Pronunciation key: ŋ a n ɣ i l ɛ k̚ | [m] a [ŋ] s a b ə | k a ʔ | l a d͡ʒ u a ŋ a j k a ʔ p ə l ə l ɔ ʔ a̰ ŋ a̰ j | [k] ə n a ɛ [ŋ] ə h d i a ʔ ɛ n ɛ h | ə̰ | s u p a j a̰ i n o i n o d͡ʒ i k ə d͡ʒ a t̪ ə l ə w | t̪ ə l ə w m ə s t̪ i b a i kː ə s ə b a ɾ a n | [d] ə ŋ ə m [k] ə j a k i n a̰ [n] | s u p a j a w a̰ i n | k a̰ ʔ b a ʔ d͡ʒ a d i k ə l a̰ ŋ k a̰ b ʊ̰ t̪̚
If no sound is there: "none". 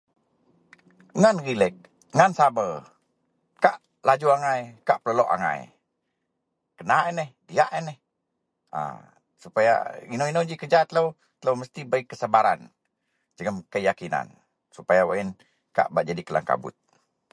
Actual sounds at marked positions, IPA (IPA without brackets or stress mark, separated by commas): ŋ, n, k, n, d͡ʒ, k, n